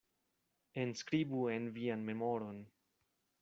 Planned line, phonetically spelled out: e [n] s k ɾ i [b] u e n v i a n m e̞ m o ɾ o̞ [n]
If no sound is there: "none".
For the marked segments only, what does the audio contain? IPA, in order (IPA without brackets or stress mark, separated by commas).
n, b, n